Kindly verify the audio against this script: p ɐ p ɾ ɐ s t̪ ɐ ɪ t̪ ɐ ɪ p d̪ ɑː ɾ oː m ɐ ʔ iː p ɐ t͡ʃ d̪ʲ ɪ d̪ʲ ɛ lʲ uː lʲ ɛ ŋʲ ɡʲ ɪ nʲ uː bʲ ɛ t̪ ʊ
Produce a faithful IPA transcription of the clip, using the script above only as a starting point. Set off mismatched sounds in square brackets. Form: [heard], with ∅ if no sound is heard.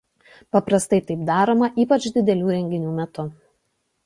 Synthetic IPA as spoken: p ɐ p ɾ ɐ s t̪ ɐ ɪ t̪ ɐ ɪ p d̪ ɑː ɾ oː m ɐ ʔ iː p ɐ t͡ʃ d̪ʲ ɪ d̪ʲ ɛ lʲ uː [ɾʲ] ɛ ŋʲ ɡʲ ɪ nʲ uː [mʲ] ɛ t̪ ʊ